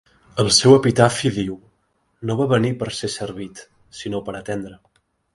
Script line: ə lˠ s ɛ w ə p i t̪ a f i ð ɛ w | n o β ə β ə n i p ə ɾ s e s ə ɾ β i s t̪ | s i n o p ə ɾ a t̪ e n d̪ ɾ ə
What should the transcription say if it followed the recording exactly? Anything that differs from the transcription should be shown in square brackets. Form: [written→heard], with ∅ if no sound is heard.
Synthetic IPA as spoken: ə lˠ s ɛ w ə p i t̪ a f i ð [ɛ→i] w | n o β [ə→a] β ə n i p ə ɾ s e s ə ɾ β i [s→∅] t̪ | s i n o p ə ɾ [a→ə] t̪ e n d̪ ɾ ə